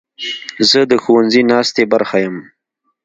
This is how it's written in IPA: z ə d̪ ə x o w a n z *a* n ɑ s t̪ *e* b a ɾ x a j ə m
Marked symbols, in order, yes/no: no, yes

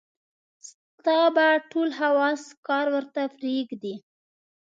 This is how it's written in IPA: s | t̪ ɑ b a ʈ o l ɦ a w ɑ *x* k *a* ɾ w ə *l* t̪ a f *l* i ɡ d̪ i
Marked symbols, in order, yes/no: no, no, no, no

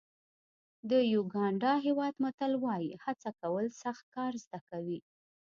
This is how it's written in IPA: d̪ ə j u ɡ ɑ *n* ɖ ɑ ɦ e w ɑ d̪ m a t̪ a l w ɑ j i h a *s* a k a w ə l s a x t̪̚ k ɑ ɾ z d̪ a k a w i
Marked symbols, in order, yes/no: no, no

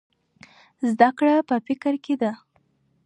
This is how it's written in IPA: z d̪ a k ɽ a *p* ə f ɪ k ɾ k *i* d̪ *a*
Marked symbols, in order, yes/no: yes, no, yes

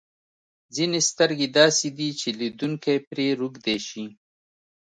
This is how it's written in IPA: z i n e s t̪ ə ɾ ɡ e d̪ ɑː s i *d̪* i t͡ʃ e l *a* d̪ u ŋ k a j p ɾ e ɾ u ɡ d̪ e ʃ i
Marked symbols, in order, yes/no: yes, no

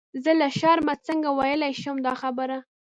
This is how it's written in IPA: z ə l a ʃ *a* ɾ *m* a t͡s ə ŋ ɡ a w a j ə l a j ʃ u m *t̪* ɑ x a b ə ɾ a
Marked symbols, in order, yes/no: no, yes, no

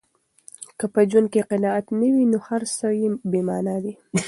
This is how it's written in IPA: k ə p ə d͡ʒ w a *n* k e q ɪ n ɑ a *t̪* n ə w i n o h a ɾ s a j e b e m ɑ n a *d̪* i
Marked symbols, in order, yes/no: yes, yes, yes

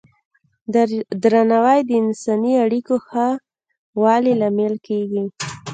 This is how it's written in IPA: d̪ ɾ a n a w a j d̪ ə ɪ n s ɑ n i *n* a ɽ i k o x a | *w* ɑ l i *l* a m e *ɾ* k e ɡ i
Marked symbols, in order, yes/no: no, yes, yes, no

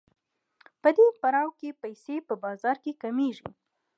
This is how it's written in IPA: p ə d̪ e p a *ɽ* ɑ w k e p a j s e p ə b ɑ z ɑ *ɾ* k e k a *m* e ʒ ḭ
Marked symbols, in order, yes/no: no, yes, yes

